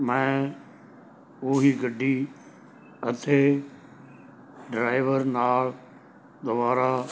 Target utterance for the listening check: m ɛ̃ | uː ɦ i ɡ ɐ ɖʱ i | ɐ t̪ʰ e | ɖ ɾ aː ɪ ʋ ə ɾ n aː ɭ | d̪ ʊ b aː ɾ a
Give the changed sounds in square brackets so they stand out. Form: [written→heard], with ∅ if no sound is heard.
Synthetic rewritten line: m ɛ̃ | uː ɦ i ɡ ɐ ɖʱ i | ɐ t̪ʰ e | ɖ ɾ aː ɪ ʋ ə ɾ n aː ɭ | d̪ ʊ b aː ɾ a

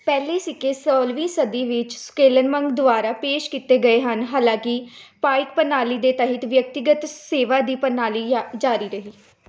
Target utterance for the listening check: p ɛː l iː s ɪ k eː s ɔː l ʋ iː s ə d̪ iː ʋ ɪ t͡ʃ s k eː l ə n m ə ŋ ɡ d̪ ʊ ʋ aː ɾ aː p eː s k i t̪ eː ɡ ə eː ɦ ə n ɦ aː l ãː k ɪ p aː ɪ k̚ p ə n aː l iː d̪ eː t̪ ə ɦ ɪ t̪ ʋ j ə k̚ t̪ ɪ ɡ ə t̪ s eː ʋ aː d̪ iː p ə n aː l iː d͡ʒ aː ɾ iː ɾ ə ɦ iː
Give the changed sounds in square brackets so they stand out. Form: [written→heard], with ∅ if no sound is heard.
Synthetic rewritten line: p ɛː l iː s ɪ k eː s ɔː l ʋ iː s ə d̪ iː ʋ ɪ t͡ʃ s k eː l ə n m ə ŋ ɡ d̪ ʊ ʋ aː ɾ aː p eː [s→ʃ] k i t̪ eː ɡ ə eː ɦ ə n ɦ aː l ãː k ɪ p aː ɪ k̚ p ə n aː l iː d̪ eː t̪ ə ɦ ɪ t̪ ʋ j ə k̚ t̪ ɪ ɡ ə t̪ s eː ʋ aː d̪ iː p ə n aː l iː d͡ʒ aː ɾ iː ɾ ə ɦ iː

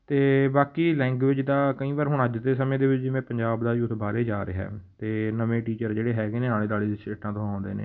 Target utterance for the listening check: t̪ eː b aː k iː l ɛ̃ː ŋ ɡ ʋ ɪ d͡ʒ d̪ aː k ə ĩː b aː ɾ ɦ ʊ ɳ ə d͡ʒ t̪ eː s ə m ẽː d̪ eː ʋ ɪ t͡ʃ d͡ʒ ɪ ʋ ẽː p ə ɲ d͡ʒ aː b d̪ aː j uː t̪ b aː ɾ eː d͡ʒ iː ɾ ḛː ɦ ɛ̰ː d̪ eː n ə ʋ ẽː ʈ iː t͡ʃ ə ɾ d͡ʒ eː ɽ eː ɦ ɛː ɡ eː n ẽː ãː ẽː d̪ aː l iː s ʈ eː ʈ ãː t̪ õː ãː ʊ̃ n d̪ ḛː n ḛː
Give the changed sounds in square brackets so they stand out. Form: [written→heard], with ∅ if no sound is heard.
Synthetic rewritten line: t̪ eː b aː k iː l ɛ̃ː ŋ ɡ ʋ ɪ d͡ʒ d̪ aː k ə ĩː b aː ɾ ɦ ʊ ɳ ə d͡ʒ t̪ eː s ə m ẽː d̪ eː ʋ ɪ t͡ʃ d͡ʒ ɪ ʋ ẽː p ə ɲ d͡ʒ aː b d̪ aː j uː t̪ b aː ɾ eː d͡ʒ [iː→aː] ɾ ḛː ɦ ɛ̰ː [d̪→t̪] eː n ə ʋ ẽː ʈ iː t͡ʃ ə ɾ d͡ʒ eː ɽ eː ɦ ɛː ɡ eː n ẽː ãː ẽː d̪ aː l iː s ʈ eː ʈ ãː t̪ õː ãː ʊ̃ n d̪ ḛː n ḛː

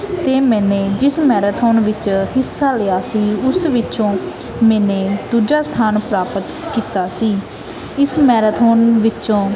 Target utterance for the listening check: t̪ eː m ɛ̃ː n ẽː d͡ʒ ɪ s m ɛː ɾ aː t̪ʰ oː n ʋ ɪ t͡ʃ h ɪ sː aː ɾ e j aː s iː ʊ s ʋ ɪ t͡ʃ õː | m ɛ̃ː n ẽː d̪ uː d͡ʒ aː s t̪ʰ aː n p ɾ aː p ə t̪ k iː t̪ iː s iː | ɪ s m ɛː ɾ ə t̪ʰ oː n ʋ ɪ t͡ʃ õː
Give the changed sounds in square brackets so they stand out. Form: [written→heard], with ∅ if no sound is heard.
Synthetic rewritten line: t̪ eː m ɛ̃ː n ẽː d͡ʒ ɪ s m ɛː ɾ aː t̪ʰ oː n ʋ ɪ t͡ʃ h ɪ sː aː [ɾ→l] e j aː s iː ʊ s ʋ ɪ t͡ʃ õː | m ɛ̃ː n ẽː d̪ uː d͡ʒ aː s t̪ʰ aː n p ɾ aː p ə t̪ k iː t̪ [iː→aː] s iː | ɪ s m ɛː ɾ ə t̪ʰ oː n ʋ ɪ t͡ʃ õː

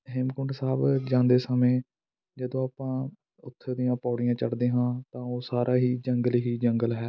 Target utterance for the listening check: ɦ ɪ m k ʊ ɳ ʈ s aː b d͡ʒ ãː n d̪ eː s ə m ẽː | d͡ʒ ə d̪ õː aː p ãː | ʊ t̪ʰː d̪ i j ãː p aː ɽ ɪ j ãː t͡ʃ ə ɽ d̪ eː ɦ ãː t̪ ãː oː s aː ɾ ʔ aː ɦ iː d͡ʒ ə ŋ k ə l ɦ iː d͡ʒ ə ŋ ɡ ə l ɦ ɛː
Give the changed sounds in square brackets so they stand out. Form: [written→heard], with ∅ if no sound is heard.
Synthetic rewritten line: ɦ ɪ m k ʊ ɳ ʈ s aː b d͡ʒ ãː n d̪ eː s ə m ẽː | d͡ʒ ə d̪ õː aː p ãː | ʊ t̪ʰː d̪ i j ãː p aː ɽ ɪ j ãː t͡ʃ ə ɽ d̪ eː ɦ ãː t̪ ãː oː s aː ɾ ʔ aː ɦ iː d͡ʒ ə ŋ [k→ɡ] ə l ɦ iː d͡ʒ ə ŋ ɡ ə l ɦ ɛː

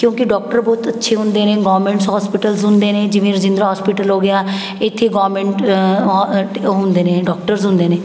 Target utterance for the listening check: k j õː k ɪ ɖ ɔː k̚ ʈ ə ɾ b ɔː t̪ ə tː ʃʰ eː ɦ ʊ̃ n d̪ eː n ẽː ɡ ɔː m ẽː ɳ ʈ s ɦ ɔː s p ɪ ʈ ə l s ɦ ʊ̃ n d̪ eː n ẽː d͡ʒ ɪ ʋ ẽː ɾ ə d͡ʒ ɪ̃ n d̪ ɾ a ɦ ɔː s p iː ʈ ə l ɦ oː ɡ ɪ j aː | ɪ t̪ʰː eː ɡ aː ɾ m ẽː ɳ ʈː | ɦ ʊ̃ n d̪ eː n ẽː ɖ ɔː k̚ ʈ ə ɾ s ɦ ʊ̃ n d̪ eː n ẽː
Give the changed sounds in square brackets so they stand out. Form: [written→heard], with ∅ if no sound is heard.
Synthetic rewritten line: k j õː k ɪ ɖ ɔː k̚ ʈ ə ɾ b ɔː t̪ ə tː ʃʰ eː ɦ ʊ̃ n d̪ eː n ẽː ɡ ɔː m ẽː ɳ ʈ s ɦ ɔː s p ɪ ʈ ə l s ɦ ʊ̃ n d̪ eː n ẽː d͡ʒ ɪ ʋ ẽː ɾ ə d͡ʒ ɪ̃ n d̪ ɾ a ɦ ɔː s p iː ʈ ə l ɦ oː ɡ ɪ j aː | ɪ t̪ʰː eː ɡ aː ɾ m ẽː ɳ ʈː | ɦ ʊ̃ n d̪ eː n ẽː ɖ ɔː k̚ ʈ ə ɾ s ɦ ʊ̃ n d̪ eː n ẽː

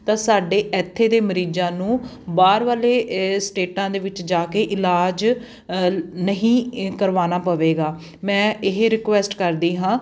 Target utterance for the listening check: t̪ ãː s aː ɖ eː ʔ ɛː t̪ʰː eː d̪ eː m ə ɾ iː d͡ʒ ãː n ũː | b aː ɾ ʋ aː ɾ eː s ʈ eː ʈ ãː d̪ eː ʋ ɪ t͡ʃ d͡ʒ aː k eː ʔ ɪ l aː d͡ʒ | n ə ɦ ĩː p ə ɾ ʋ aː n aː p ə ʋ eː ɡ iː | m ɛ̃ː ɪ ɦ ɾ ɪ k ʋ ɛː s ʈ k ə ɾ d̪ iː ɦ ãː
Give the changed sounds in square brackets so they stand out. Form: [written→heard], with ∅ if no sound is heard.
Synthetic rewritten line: t̪ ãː s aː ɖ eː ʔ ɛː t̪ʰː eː d̪ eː m ə ɾ iː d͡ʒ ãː n ũː | b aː ɾ ʋ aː [ɾ→l] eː s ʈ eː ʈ ãː d̪ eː ʋ ɪ t͡ʃ d͡ʒ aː k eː ʔ ɪ l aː d͡ʒ | n ə ɦ ĩː [p→k] ə ɾ ʋ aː n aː p ə ʋ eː ɡ [iː→aː] | m ɛ̃ː ɪ ɦ ɾ ɪ k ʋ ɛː s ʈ k ə ɾ d̪ iː ɦ ãː

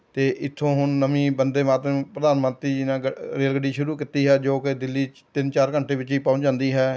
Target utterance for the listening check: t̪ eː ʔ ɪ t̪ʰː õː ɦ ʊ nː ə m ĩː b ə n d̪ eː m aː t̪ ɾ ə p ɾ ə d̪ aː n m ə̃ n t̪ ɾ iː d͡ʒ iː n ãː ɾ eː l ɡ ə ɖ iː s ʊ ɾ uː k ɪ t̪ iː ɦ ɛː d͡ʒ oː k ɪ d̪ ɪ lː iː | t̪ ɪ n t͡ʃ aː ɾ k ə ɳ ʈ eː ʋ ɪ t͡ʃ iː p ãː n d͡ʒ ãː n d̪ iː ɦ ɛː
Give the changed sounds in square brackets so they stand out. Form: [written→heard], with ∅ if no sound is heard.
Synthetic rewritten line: t̪ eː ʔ ɪ t̪ʰː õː ɦ ʊ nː ə m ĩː b ə n d̪ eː m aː t̪ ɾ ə p ɾ ə d̪ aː n m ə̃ n t̪ ɾ iː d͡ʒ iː n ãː ɾ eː l ɡ ə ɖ iː [s→ʃ] ʊ ɾ uː k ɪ t̪ iː ɦ ɛː d͡ʒ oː k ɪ d̪ ɪ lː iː | t̪ ɪ n t͡ʃ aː ɾ k ə ɳ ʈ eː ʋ ɪ t͡ʃ iː p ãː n d͡ʒ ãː n d̪ iː ɦ ɛː

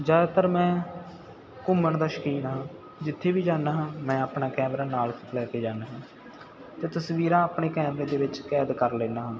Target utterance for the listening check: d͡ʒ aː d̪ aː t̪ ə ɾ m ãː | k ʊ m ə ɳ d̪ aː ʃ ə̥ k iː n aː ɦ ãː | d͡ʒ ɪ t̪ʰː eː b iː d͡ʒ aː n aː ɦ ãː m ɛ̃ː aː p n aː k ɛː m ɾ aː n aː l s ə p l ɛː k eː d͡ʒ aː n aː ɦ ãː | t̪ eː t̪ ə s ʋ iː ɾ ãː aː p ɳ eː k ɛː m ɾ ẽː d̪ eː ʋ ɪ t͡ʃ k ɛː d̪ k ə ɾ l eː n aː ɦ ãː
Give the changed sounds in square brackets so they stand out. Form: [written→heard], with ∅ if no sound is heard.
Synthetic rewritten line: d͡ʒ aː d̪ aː t̪ ə ɾ m [ãː→ɛ̃ː] | k ʊ m ə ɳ d̪ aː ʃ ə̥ k iː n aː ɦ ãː | d͡ʒ ɪ t̪ʰː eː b iː d͡ʒ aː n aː ɦ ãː m ɛ̃ː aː p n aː k ɛː m ɾ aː n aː l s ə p l ɛː k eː d͡ʒ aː n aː ɦ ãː | t̪ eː t̪ ə s ʋ iː ɾ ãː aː p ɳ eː k ɛː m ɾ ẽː d̪ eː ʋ ɪ t͡ʃ k ɛː d̪ k ə ɾ l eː n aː ɦ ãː

